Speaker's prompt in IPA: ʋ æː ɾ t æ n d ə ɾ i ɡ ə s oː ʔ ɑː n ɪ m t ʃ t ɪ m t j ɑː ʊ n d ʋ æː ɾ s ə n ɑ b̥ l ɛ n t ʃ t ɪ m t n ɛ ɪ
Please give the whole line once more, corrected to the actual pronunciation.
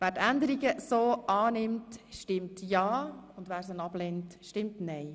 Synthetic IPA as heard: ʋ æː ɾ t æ n d ə ɾ i ɡ ə s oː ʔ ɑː n ɪ m t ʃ t ɪ m t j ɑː ʊ n d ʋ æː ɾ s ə n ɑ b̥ l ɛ n t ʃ t ɪ m t n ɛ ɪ